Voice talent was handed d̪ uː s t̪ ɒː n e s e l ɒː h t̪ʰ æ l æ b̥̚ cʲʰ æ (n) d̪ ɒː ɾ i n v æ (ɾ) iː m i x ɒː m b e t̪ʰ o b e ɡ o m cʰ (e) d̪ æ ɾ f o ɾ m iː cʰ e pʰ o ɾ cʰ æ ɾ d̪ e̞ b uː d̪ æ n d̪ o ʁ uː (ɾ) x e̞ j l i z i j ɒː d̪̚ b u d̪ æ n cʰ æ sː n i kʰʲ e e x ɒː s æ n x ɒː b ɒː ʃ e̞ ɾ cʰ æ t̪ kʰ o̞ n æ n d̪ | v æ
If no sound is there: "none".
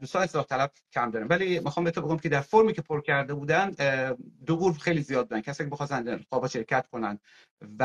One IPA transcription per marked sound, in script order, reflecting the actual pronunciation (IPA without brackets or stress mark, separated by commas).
m, l, e, ɾ